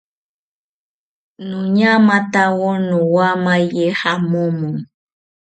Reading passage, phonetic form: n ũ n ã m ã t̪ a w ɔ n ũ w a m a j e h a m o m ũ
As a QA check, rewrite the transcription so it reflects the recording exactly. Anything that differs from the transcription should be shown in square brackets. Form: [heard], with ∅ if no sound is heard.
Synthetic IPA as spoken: n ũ [ɲ] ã m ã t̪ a w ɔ n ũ w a m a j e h a m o m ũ